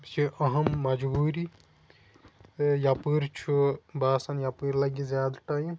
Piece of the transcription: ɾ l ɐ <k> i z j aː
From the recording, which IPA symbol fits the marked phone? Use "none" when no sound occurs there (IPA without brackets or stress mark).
ɡ